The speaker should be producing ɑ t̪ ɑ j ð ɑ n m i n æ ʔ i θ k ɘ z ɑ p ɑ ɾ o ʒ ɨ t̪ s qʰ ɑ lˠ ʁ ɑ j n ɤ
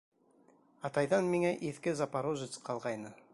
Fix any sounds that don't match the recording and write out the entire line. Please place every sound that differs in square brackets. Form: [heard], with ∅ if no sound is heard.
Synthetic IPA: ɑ t̪ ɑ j ð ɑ n m i [ŋ] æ ʔ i θ k ɘ z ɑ p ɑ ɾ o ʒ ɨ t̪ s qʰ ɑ lˠ ʁ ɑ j n ɤ